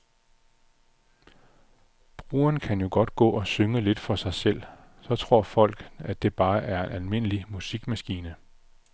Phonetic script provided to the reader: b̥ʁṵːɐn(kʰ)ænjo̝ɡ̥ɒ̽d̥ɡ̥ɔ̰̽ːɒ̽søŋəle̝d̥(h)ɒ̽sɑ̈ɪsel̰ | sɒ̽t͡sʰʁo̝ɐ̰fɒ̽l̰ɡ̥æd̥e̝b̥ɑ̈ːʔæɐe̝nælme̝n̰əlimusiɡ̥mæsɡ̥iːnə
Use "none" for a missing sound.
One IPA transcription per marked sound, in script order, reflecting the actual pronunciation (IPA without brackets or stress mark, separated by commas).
kʰ, f